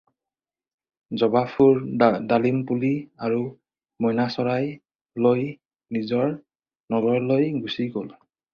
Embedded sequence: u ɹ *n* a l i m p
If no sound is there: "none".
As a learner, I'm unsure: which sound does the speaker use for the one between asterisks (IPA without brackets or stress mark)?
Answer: d